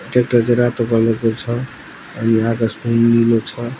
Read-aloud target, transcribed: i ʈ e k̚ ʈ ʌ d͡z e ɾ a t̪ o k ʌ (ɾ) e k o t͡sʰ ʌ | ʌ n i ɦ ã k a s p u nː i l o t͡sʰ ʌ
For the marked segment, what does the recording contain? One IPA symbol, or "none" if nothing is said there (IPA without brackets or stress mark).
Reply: l